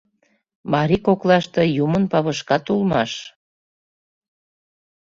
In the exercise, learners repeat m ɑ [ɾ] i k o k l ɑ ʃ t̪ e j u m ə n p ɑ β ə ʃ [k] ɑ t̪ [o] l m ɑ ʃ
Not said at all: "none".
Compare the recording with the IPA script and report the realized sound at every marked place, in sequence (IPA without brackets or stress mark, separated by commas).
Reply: ɾ, k, u